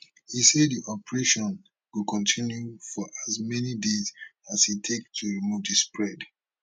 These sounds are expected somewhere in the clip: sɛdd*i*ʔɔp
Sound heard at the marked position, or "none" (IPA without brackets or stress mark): i